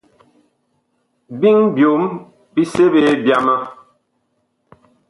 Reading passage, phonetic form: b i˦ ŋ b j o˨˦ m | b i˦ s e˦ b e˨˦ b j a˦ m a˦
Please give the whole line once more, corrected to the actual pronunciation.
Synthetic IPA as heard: b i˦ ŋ b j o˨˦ m | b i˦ s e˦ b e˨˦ b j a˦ m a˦